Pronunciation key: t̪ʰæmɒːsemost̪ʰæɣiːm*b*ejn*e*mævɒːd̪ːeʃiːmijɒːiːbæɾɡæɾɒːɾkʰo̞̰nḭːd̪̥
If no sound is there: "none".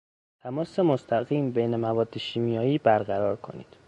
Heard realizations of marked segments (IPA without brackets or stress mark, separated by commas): b, e